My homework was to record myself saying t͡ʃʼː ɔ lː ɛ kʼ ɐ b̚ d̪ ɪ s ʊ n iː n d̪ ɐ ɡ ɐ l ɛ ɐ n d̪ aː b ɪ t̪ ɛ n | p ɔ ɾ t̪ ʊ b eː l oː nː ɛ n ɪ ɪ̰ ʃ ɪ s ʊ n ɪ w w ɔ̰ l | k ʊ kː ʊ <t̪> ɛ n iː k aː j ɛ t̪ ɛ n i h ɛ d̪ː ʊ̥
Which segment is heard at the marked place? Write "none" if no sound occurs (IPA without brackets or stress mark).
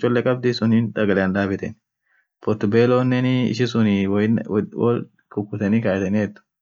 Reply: t̪